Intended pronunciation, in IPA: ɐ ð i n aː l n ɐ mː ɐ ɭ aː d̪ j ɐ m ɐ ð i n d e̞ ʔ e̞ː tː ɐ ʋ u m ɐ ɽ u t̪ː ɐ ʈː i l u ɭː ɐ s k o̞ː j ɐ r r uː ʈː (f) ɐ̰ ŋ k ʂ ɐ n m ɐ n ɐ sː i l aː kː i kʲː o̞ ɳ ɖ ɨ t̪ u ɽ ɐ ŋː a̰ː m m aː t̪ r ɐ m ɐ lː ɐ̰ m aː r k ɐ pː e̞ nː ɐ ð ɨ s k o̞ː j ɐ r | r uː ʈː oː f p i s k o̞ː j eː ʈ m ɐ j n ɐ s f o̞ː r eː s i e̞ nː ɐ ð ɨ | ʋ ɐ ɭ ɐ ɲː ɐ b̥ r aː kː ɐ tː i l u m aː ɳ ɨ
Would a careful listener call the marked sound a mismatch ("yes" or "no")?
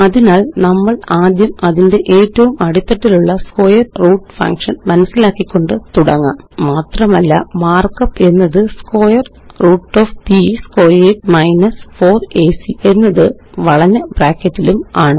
no